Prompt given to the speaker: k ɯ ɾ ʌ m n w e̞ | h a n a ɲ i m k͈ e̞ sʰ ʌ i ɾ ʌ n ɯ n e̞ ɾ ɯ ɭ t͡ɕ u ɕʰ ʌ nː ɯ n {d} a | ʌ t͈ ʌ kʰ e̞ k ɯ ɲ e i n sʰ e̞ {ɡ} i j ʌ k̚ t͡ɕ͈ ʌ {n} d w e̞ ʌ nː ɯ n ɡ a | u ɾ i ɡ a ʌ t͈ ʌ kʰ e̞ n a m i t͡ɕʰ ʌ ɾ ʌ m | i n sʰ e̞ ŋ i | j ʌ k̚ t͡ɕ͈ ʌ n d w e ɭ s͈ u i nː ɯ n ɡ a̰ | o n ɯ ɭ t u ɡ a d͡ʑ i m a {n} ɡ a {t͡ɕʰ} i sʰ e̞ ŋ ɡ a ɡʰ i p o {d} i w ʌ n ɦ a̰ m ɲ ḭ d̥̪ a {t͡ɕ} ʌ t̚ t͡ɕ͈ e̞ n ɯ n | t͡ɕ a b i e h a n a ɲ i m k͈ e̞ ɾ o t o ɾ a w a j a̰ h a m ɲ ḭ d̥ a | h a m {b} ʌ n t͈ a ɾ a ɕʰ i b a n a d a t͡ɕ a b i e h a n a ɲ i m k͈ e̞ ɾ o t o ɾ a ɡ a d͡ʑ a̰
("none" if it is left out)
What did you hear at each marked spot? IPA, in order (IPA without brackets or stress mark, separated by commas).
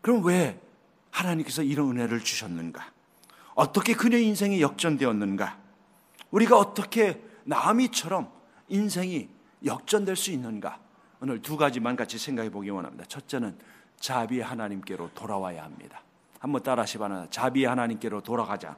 ɡ, ŋ, n, n, t͡ɕʰ, ɡ, t͡ɕʰ, b